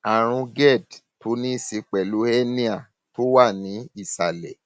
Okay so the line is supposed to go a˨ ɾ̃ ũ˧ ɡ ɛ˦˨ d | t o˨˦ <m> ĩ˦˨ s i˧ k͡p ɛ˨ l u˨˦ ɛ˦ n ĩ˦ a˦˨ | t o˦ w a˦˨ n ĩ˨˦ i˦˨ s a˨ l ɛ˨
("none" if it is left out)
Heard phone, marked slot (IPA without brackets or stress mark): n